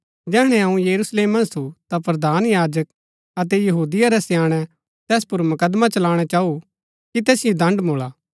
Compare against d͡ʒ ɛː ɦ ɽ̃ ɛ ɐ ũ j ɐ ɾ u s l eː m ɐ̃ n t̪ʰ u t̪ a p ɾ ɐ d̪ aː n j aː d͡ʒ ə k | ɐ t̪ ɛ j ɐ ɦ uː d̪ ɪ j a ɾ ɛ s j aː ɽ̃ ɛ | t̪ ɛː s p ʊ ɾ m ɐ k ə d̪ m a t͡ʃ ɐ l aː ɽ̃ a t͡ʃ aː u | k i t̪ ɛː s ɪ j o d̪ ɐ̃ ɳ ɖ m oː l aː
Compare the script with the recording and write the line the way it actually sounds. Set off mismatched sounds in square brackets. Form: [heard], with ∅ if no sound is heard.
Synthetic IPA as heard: d͡ʒ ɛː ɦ ɽ̃ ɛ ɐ ũ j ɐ ɾ u s l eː m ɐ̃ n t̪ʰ u t̪ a p ɾ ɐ d̪ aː n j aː d͡ʒ ə k | ɐ t̪ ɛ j ɐ ɦ uː d̪ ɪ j a ɾ ɛ s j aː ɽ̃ ɛ | t̪ ɛː s p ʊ ɾ m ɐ k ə d̪ m a t͡ʃ ɐ l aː ɽ̃ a t͡ʃ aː u | k i t̪ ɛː s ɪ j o d̪ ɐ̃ ɳ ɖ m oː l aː